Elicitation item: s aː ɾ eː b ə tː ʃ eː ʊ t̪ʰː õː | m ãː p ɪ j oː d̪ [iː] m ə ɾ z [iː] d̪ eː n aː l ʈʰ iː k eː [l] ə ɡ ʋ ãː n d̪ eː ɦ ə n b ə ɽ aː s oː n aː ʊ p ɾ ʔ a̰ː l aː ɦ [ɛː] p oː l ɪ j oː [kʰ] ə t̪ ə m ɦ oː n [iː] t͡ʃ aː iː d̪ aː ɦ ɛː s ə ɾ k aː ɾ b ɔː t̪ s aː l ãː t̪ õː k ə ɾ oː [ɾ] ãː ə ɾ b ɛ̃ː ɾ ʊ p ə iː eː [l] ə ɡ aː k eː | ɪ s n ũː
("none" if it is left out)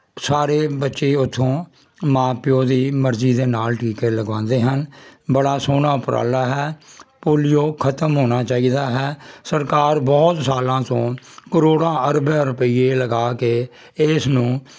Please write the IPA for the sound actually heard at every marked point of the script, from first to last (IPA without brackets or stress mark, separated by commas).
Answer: iː, iː, l, ɛː, kʰ, aː, ɽ, l